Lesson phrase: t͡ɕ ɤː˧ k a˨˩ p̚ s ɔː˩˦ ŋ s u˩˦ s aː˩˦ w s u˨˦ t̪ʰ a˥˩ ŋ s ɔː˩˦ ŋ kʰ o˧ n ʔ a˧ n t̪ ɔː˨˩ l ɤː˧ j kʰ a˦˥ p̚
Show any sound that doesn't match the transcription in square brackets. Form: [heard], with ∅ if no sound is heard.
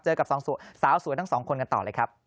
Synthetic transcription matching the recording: t͡ɕ ɤː˧ k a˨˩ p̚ s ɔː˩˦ ŋ s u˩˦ s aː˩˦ w s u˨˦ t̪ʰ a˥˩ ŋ s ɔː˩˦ ŋ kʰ o˧ n [k] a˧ n t̪ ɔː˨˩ l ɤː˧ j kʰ a˦˥ p̚

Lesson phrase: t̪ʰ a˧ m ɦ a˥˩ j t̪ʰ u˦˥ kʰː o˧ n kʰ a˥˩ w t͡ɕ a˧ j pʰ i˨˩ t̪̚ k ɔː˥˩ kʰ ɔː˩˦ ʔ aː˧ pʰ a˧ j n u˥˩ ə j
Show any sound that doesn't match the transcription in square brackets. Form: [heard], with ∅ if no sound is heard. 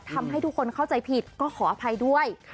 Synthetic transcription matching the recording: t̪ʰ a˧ m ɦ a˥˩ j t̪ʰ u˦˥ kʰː o˧ n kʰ a˥˩ w t͡ɕ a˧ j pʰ i˨˩ t̪̚ k ɔː˥˩ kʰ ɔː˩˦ ʔ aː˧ pʰ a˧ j [d] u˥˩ ə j

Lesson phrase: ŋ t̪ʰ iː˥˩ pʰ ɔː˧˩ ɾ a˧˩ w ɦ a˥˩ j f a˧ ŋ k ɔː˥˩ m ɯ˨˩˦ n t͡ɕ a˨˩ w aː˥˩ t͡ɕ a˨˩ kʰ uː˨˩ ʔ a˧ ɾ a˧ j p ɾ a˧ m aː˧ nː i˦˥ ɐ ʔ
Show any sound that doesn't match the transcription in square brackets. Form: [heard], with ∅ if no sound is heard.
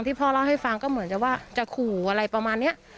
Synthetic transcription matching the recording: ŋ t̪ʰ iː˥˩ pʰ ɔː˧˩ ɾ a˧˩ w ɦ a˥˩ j f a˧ ŋ k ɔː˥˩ m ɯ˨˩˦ n t͡ɕ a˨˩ w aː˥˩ t͡ɕ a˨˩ kʰ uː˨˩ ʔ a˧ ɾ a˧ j p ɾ a˧ m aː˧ nː i˦˥ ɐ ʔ

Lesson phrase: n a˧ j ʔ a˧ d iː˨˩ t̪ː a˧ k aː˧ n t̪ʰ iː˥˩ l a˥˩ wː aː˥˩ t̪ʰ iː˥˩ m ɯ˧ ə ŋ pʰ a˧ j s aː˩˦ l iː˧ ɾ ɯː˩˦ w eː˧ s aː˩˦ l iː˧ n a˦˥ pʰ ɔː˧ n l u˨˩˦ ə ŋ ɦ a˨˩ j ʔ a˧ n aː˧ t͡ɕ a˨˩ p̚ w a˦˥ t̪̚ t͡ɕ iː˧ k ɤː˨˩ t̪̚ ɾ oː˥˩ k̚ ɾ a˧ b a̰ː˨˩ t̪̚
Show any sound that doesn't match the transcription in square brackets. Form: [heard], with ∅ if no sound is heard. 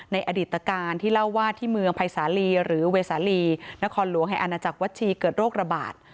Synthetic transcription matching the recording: n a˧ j ʔ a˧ d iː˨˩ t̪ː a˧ k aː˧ n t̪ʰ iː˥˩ l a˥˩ wː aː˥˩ t̪ʰ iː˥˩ m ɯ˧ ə ŋ pʰ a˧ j s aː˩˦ l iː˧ ɾ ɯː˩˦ w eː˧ s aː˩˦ l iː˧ n a˦˥ [kʰ] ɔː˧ n l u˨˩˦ ə ŋ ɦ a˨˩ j ʔ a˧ n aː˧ t͡ɕ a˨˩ [k̚] w a˦˥ t̪̚ [t͡ɕʰ] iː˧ k ɤː˨˩ t̪̚ ɾ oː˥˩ k̚ ɾ a˧ b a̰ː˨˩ t̪̚

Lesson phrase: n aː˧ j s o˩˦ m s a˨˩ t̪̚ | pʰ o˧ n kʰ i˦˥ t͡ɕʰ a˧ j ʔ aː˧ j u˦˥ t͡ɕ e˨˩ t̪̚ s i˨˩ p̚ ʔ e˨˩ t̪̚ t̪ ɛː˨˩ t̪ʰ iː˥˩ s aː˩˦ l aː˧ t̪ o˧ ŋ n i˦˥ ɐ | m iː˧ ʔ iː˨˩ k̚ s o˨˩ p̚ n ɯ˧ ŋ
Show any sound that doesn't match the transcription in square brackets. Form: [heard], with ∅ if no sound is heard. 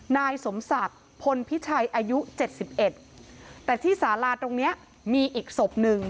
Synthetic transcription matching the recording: n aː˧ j s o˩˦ m s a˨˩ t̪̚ | pʰ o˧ n [pʰ] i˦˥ t͡ɕʰ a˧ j ʔ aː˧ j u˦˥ t͡ɕ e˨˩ t̪̚ s i˨˩ p̚ ʔ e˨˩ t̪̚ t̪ ɛː˨˩ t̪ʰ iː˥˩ s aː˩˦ l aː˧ t̪ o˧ ŋ n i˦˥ ɐ | m iː˧ ʔ iː˨˩ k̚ s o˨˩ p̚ n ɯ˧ ŋ

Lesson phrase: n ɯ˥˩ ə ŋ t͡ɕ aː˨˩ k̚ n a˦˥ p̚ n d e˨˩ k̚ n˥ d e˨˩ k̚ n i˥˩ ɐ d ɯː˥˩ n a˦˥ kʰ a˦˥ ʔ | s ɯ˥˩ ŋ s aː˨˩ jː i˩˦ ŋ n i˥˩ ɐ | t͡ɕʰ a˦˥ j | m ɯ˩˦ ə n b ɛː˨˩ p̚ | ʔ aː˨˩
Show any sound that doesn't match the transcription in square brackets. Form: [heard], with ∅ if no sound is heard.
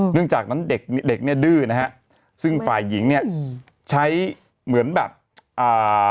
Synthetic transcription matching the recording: n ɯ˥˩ ə ŋ t͡ɕ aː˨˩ k̚ n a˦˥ [∅] n d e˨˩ k̚ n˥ d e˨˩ k̚ n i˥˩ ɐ d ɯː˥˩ n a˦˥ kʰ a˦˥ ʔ | s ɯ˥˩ ŋ [f] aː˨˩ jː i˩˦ ŋ n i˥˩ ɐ | t͡ɕʰ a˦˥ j | m ɯ˩˦ ə n b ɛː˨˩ p̚ | ʔ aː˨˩

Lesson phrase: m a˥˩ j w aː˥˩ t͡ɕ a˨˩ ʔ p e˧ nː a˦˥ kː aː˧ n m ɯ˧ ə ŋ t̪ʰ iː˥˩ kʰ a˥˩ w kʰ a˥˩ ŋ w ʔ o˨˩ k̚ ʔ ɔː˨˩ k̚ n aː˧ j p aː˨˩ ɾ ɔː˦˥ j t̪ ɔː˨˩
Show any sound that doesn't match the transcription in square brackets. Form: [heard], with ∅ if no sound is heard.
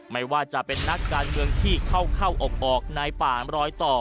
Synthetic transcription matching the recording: m a˥˩ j w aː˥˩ t͡ɕ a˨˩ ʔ p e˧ nː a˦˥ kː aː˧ n m ɯ˧ ə ŋ t̪ʰ iː˥˩ kʰ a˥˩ w kʰ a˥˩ [∅] w ʔ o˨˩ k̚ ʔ ɔː˨˩ k̚ n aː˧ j p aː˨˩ ɾ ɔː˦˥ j t̪ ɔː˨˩

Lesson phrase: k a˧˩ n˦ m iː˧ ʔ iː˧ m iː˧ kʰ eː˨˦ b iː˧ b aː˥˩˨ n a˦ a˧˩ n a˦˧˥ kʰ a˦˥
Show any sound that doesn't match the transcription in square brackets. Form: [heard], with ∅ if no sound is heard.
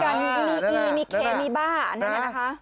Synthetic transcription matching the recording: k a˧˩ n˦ m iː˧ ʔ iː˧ m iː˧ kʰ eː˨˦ [m] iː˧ b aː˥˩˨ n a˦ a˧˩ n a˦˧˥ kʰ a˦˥

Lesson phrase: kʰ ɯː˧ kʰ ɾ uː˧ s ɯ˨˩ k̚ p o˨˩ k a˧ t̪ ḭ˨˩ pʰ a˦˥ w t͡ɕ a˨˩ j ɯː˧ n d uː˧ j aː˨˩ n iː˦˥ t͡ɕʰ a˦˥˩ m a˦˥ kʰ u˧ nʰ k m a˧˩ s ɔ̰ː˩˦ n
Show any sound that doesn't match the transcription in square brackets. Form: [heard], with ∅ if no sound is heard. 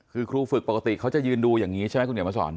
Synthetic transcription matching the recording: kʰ ɯː˧ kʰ ɾ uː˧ [f] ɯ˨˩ k̚ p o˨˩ k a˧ t̪ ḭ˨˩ [kʰ] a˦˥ w t͡ɕ a˨˩ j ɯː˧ n d uː˧ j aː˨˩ [ŋ] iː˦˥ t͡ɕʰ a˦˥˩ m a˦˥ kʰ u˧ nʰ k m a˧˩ s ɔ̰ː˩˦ n

